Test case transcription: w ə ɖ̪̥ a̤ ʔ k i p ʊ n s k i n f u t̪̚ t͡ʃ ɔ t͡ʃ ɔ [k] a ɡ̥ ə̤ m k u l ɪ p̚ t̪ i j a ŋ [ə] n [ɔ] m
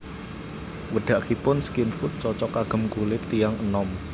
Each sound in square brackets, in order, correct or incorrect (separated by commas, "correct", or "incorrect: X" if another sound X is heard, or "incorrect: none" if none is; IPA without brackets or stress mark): correct, correct, correct